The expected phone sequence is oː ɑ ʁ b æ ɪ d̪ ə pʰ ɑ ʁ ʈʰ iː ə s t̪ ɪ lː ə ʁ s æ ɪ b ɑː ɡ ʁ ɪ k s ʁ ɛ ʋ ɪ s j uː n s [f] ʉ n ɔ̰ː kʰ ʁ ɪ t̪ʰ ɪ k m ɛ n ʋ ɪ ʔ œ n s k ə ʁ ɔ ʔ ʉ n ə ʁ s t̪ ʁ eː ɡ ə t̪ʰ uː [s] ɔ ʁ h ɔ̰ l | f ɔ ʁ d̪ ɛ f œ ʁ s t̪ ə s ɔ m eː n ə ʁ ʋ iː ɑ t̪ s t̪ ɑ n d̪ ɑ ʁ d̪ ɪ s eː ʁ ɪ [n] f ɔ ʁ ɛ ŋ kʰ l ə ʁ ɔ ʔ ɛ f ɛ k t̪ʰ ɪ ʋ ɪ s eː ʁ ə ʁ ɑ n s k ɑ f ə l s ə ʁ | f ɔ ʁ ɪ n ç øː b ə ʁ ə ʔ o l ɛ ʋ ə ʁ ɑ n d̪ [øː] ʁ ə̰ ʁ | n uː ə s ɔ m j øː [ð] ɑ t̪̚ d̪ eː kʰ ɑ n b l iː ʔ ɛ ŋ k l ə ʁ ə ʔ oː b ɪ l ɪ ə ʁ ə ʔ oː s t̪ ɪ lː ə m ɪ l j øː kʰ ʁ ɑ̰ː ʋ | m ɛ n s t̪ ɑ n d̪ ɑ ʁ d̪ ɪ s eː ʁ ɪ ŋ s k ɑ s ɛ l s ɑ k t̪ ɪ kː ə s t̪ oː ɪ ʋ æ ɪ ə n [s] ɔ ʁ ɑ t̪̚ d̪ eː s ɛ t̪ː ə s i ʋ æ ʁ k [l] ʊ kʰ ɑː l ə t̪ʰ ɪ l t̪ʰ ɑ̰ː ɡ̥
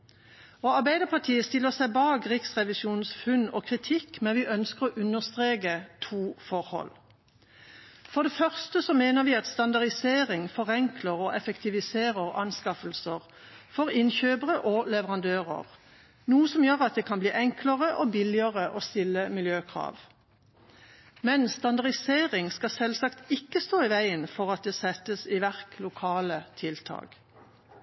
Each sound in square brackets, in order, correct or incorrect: correct, incorrect, incorrect, correct, incorrect, incorrect, correct

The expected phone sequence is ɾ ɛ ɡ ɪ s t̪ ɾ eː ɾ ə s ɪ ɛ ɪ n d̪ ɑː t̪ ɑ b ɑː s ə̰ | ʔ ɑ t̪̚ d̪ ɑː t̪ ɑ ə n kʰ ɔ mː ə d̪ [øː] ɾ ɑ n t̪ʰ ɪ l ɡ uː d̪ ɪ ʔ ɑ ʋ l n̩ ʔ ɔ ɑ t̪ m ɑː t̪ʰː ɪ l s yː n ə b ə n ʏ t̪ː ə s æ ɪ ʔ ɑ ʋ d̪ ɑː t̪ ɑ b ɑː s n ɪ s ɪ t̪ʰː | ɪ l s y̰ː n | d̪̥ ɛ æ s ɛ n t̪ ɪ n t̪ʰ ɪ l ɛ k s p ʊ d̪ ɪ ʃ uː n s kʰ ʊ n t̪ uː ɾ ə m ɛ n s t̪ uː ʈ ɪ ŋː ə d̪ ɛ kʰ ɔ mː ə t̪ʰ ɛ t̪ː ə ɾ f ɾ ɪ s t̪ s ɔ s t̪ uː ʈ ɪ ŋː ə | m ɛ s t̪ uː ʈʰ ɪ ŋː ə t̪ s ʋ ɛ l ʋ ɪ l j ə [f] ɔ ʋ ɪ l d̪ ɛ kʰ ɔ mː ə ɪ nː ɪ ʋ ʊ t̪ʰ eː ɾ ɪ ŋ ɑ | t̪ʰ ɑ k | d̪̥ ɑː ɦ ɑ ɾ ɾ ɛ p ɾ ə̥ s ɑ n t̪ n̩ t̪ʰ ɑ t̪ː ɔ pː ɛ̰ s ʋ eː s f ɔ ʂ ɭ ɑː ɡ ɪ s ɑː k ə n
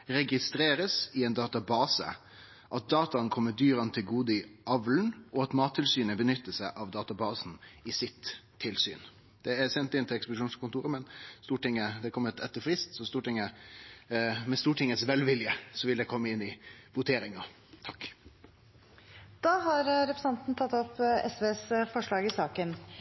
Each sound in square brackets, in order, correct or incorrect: incorrect, incorrect

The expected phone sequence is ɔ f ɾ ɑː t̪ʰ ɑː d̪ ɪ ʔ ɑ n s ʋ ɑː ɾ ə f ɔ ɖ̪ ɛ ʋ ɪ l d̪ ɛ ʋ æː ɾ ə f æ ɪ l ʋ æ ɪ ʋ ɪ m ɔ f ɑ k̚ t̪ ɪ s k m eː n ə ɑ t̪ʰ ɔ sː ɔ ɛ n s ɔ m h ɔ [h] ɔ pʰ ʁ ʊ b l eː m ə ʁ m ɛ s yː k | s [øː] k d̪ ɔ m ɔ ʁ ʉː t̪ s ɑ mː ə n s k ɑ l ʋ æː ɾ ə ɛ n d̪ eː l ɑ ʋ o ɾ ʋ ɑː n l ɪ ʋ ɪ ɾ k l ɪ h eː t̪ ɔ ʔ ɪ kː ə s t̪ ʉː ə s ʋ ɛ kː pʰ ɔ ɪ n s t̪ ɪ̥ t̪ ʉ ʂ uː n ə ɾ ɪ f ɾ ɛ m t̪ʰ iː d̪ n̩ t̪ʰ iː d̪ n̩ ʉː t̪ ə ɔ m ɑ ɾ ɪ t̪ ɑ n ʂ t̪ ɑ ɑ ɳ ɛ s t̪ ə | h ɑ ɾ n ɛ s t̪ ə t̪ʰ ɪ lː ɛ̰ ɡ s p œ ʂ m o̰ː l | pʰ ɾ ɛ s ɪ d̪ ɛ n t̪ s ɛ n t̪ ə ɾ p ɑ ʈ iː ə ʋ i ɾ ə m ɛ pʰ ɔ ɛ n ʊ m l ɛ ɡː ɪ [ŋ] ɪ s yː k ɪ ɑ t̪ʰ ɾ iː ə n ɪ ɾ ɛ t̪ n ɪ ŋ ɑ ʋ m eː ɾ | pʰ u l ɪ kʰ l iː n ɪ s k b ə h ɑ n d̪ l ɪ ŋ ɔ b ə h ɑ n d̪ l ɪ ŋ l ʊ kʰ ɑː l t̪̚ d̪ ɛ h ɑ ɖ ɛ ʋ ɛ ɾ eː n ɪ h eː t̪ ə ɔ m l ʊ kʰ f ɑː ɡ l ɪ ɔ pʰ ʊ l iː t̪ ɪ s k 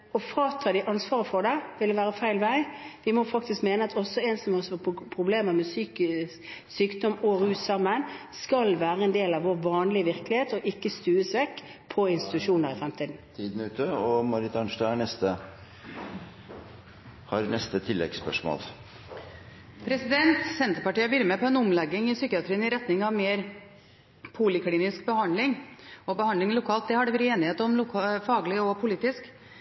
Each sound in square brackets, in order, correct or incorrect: incorrect, incorrect, correct

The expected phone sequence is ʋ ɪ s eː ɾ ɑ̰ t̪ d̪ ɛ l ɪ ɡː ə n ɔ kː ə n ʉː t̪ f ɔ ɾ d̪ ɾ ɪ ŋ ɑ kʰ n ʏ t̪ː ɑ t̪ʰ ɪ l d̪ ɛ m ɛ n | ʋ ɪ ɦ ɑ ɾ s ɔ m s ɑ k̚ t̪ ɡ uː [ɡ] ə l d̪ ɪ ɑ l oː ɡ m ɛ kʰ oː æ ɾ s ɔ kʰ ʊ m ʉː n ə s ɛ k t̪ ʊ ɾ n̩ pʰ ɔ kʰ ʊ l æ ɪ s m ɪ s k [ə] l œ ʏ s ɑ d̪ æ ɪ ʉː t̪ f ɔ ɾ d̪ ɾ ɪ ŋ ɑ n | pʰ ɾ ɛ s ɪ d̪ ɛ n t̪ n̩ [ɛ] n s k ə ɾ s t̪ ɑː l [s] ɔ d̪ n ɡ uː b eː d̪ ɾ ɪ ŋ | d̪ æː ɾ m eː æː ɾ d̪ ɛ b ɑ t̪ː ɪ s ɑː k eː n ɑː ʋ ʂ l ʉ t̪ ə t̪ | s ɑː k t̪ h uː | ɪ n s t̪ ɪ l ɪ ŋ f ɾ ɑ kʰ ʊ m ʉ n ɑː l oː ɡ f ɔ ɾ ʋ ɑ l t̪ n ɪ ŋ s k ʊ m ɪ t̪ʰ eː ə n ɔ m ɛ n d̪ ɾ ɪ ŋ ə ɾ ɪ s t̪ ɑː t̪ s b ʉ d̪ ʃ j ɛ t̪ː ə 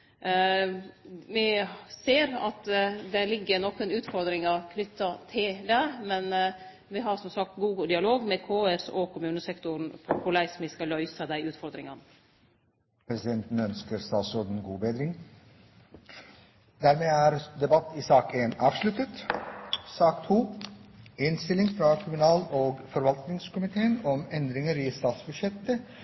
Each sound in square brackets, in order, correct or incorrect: correct, incorrect, incorrect, correct

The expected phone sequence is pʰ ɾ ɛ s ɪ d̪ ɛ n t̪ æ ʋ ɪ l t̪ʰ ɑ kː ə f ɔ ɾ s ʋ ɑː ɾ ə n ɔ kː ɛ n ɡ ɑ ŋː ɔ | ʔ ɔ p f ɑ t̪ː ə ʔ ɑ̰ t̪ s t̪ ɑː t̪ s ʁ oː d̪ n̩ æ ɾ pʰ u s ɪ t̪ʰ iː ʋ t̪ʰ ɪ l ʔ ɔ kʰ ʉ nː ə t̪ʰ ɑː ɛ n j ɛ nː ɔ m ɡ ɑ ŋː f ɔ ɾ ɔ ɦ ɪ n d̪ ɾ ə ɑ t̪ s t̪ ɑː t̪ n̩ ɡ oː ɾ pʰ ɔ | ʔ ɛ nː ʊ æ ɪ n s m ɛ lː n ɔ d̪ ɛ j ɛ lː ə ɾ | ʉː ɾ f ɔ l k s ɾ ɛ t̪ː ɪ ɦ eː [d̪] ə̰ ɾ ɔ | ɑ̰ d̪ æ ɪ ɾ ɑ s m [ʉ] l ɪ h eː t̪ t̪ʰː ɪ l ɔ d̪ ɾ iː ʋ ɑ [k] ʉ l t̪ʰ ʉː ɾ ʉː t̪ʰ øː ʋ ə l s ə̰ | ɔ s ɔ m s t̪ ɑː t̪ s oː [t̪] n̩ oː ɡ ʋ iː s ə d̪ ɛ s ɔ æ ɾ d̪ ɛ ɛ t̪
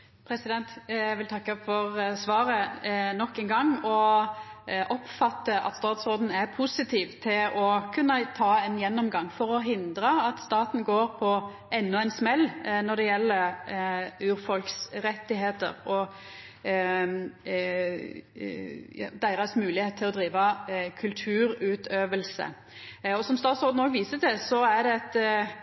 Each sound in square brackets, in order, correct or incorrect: incorrect, incorrect, incorrect, incorrect

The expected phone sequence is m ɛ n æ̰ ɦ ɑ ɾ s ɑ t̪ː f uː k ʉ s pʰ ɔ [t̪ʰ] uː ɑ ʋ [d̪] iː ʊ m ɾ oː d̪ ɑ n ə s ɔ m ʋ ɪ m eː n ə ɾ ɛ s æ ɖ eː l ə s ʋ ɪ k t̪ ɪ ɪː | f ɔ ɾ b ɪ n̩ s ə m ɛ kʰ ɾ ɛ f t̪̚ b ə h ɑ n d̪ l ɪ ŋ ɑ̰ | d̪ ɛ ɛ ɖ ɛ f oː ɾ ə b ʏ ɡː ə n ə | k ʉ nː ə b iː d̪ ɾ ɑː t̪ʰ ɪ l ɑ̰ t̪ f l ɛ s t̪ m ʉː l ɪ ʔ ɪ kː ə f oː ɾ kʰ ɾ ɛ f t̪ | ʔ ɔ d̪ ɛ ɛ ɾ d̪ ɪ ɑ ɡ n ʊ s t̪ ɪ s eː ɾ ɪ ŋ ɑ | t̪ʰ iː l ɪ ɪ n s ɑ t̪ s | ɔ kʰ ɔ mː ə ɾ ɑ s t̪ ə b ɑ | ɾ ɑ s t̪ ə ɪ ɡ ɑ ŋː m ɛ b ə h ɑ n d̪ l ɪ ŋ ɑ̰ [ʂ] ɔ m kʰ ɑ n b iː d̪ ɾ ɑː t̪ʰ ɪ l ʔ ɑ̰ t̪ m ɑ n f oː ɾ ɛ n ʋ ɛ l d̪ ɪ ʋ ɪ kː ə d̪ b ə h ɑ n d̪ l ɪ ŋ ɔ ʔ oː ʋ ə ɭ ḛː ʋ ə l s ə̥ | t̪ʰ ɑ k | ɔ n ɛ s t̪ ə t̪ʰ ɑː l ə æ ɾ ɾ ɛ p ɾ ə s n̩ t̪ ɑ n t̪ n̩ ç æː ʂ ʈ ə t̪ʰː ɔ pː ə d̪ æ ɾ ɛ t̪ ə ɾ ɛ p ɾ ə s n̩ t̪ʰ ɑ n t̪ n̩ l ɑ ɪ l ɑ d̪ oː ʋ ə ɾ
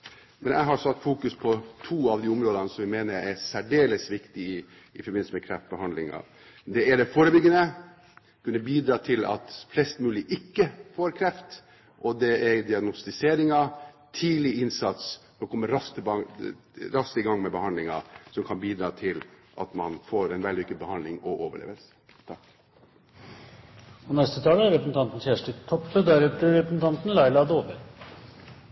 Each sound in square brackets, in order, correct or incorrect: correct, correct, incorrect

